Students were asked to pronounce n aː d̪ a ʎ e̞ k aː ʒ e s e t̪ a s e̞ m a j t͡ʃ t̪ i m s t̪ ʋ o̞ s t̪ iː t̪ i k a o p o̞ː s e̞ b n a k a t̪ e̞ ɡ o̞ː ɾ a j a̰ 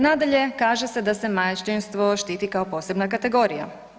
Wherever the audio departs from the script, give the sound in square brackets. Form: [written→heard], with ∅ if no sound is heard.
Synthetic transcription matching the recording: n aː d̪ a ʎ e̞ k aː ʒ e s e [t̪→d̪] a s e̞ m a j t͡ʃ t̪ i [m→n] s t̪ ʋ o̞ [s→ʃ] t̪ iː t̪ i k a o p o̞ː s e̞ b n a k a t̪ e̞ ɡ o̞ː ɾ [a→i] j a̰